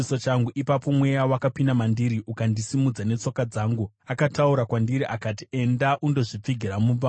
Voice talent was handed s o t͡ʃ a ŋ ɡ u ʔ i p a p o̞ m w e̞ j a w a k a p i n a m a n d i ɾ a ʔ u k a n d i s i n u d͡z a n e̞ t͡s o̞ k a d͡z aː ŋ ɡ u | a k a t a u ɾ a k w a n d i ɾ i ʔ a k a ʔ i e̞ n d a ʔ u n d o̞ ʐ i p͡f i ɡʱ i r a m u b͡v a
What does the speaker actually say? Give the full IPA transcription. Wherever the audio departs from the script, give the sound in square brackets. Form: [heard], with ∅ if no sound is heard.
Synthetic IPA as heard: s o t͡ʃ a ŋ ɡ u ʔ i p a p o̞ m w e̞ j a w a k a p i n a m a n d i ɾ [i] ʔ u k a n d i s i [m] u d͡z a n e̞ t͡s o̞ k a d͡z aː ŋ ɡ u | a k a t a u ɾ a k w a n d i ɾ i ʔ a k a [t] i e̞ n d a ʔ u n d o̞ ʐ i p͡f i ɡʱ i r a m u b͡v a